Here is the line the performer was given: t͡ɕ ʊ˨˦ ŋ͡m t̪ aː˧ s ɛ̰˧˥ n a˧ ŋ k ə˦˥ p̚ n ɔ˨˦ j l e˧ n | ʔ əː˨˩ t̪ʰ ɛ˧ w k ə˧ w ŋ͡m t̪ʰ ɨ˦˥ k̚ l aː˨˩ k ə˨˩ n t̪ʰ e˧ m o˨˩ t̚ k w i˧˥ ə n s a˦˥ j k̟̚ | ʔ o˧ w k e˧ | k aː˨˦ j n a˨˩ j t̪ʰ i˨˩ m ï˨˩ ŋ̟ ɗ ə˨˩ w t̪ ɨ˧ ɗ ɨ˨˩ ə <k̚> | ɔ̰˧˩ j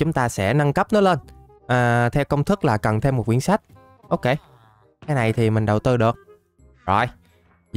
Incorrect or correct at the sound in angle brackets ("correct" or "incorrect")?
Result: correct